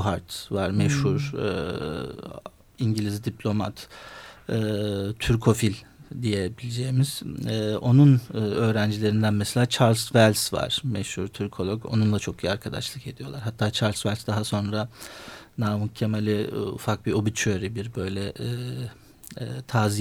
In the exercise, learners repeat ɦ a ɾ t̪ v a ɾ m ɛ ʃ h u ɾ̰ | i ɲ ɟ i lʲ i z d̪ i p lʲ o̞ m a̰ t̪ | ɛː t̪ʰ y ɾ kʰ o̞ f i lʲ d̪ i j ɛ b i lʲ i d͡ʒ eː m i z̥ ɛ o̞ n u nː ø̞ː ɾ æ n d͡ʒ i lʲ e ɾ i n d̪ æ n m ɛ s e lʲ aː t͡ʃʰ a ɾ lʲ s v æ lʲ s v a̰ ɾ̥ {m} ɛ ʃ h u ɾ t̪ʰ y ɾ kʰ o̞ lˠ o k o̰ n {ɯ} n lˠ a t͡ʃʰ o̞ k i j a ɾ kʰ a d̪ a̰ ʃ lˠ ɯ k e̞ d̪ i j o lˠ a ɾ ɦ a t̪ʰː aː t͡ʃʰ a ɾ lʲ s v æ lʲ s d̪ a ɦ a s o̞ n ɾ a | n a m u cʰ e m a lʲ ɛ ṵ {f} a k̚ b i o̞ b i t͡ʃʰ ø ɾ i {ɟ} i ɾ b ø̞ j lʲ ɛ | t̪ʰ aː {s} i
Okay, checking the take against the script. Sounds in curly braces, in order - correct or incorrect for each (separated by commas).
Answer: correct, incorrect, correct, incorrect, incorrect